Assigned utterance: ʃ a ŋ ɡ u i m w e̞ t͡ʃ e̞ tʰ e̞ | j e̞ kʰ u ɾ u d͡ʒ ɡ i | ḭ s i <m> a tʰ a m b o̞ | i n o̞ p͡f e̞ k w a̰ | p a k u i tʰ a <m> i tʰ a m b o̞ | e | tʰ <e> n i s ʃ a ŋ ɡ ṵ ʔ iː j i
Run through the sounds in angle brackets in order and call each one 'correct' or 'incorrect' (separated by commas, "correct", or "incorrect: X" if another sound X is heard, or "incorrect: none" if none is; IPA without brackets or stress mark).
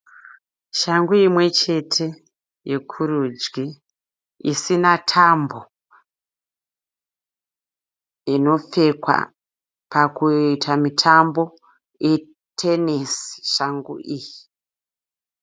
incorrect: n, correct, correct